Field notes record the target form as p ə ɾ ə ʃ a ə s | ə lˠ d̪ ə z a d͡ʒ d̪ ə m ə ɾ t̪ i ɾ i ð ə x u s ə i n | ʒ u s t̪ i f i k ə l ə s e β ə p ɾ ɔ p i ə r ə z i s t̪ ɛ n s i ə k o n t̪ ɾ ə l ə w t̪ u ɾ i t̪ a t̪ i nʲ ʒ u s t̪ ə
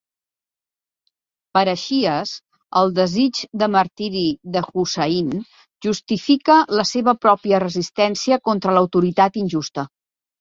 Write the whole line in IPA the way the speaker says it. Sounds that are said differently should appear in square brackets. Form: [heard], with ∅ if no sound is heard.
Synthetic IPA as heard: p ə ɾ ə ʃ [i] ə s | ə lˠ d̪ ə z [i] d͡ʒ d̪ ə m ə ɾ t̪ i ɾ i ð ə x u s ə i n | ʒ u s t̪ i f i k ə l ə s e β ə p ɾ ɔ p i ə r ə z i s t̪ ɛ n s i ə k o n t̪ ɾ ə l ə w t̪ u ɾ i t̪ a t̪ i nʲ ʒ u s t̪ ə